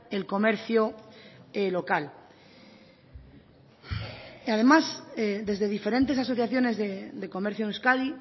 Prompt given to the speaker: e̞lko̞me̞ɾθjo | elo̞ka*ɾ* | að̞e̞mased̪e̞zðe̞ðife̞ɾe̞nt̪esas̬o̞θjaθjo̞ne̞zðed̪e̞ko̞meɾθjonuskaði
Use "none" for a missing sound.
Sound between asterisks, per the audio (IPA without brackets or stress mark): l